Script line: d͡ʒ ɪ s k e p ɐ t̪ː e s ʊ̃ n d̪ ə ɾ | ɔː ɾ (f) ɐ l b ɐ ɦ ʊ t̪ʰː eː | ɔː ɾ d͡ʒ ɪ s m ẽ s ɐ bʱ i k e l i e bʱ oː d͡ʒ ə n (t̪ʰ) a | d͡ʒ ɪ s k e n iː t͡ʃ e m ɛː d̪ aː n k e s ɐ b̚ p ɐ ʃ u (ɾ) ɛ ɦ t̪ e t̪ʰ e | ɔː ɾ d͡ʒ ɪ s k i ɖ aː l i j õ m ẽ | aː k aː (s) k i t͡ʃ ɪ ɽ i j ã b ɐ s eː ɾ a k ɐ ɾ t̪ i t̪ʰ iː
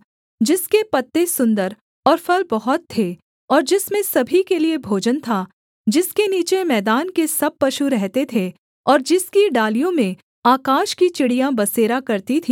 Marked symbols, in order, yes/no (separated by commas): yes, yes, yes, no